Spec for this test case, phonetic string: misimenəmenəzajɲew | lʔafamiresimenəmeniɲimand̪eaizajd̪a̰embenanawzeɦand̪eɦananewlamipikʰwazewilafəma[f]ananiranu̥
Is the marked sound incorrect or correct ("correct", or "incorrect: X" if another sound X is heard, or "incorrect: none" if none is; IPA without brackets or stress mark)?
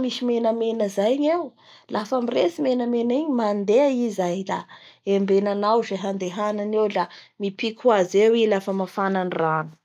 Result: correct